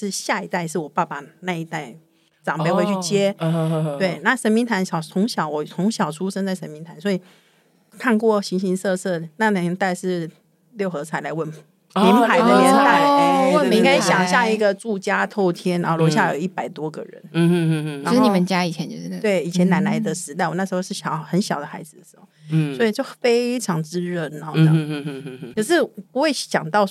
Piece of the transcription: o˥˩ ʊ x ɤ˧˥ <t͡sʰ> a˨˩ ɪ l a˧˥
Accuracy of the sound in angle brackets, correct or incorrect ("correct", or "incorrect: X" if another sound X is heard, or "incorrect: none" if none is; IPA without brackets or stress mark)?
correct